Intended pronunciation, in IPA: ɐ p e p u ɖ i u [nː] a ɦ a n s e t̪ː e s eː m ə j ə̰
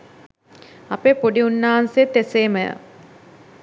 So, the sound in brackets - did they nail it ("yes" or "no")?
yes